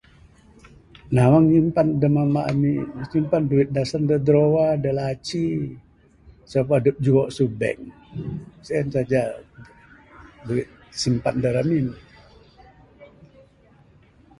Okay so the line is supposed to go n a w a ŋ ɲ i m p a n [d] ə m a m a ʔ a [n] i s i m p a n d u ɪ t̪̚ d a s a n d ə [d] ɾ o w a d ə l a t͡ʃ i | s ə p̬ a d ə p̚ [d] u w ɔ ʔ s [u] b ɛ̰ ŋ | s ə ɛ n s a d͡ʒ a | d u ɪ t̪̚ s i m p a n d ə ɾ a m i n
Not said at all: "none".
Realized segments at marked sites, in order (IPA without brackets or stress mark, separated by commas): d, m, d, d͡ʒ, u